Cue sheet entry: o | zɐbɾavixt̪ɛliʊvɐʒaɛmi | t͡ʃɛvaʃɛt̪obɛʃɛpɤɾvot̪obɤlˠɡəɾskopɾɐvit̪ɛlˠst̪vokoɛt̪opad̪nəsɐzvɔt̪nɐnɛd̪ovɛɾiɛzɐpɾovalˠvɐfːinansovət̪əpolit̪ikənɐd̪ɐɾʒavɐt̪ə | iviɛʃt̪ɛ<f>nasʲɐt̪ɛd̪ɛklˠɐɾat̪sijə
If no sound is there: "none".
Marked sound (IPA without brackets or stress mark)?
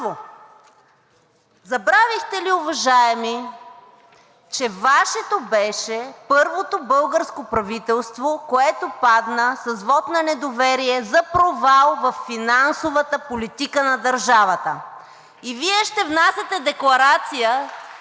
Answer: v